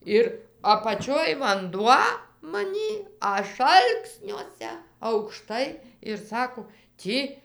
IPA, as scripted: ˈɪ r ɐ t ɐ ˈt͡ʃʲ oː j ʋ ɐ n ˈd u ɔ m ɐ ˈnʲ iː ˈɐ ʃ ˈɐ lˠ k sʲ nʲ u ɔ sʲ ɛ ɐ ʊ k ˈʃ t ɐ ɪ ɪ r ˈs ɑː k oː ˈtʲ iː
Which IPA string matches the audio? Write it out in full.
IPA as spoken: ˈɪ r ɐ p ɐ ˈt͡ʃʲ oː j ʋ ɐ n ˈd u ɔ m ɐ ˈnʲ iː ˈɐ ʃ ˈɐ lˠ k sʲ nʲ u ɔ sʲ ɛ ɐ ʊ k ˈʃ t ɐ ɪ ɪ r ˈs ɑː k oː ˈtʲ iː